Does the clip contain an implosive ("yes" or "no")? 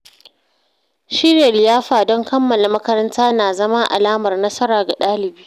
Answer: yes